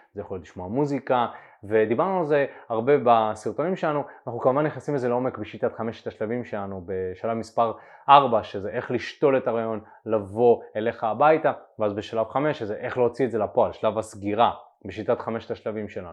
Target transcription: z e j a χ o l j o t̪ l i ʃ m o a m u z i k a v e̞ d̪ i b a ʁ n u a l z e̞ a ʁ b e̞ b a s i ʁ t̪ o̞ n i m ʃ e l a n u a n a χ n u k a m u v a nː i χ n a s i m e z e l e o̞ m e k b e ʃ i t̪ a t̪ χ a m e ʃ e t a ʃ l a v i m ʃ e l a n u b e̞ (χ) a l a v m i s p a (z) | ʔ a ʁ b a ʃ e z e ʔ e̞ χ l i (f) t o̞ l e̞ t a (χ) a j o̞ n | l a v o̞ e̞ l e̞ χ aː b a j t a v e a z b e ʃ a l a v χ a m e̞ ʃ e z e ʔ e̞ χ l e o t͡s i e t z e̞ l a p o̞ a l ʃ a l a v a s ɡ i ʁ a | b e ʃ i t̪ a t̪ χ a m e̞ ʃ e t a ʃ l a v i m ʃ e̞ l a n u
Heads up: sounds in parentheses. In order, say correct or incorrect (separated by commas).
incorrect, incorrect, incorrect, incorrect